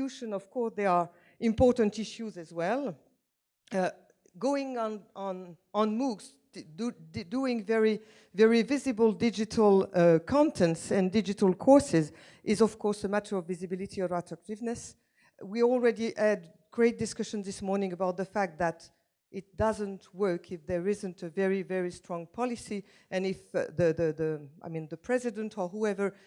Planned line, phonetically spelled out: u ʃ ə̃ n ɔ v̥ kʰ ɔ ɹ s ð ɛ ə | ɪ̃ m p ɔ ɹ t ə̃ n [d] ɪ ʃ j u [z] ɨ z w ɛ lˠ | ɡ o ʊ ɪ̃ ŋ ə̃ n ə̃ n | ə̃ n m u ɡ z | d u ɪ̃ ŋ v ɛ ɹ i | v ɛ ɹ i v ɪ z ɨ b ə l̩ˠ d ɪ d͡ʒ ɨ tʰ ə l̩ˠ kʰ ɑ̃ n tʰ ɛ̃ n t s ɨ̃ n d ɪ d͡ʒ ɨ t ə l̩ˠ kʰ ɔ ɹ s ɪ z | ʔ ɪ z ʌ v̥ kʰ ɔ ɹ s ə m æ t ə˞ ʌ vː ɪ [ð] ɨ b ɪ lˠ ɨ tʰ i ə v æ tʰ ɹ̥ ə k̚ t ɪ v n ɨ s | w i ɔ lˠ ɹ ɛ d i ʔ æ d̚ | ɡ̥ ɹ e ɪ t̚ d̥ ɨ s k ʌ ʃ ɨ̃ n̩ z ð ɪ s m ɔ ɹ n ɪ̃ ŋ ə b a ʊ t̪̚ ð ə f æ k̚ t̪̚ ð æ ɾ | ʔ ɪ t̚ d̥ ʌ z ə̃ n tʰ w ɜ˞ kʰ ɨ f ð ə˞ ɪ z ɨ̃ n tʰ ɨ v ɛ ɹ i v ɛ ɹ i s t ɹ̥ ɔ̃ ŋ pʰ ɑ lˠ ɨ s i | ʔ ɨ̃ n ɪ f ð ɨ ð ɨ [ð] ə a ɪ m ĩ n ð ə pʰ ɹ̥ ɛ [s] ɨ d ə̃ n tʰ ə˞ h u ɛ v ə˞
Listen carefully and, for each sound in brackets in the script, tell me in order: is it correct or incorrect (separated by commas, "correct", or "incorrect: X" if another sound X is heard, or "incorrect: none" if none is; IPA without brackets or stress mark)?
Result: incorrect: t, correct, incorrect: z, correct, incorrect: z